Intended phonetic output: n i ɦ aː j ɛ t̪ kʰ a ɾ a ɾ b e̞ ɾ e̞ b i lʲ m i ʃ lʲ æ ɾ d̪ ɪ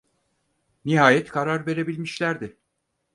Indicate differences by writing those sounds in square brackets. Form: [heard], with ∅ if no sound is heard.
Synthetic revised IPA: n i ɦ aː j ɛ t̪ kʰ a ɾ a ɾ [v] e̞ ɾ e̞ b i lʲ m i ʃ lʲ æ ɾ d̪ ɪ